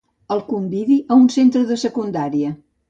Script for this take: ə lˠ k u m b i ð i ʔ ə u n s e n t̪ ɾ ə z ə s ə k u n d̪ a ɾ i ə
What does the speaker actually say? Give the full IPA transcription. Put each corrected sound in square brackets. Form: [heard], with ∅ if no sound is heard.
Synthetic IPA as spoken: ə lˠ k u m b i ð i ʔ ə u n s e n t̪ ɾ ə [ð] ə s ə k u n d̪ a ɾ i ə